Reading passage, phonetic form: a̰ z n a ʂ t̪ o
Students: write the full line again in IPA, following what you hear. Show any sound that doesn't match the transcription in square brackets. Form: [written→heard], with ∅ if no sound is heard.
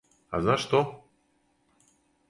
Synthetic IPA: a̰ z n a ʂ t̪ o